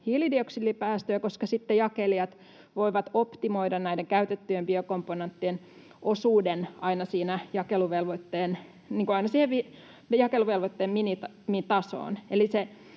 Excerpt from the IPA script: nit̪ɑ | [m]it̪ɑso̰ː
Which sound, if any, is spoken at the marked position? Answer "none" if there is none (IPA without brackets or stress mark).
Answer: m